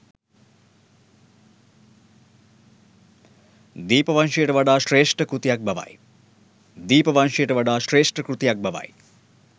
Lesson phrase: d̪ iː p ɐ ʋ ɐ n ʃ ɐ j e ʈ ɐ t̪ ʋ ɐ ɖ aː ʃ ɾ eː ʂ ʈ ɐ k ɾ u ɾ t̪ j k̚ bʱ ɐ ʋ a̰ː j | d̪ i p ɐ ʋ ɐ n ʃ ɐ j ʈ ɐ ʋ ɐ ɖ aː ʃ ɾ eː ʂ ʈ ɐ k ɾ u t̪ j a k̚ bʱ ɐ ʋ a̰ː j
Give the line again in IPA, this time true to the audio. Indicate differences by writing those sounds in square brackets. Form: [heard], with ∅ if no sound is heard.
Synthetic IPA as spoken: d̪ iː p ɐ ʋ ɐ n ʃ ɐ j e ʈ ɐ [∅] ʋ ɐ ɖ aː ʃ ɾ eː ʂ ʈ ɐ k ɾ u [∅] t̪ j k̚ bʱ ɐ ʋ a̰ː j | d̪ [iː] p ɐ ʋ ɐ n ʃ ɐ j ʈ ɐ ʋ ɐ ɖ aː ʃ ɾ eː ʂ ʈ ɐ k ɾ u t̪ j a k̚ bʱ ɐ ʋ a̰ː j